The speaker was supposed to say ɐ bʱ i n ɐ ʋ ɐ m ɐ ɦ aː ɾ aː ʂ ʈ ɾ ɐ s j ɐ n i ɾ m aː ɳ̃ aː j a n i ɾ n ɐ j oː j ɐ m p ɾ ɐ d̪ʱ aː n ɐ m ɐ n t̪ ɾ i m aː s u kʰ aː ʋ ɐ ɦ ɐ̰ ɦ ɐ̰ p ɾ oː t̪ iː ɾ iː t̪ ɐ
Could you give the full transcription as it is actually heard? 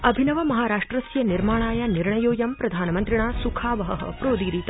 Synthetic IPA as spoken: ɐ bʱ i n ɐ ʋ ɐ m ɐ ɦ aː ɾ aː ʂ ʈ ɾ ɐ s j ɐ n i ɾ m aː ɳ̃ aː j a n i ɾ ɳ ɐ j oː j ɐ m p ɾ ɐ d̪ʱ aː n ɐ m ɐ n t̪ ɾ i ɳ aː s u kʰ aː ʋ ɐ ɦ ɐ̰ ɦ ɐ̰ p ɾ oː d̪ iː ɾ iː t̪ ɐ